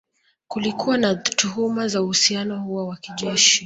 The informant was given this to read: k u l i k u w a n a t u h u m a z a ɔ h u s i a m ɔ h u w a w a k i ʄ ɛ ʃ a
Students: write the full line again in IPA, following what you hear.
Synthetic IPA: k u l i k u w a n a t u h u m a z a u h u s i a n ɔ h u w a w a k i ʄ ɛ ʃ i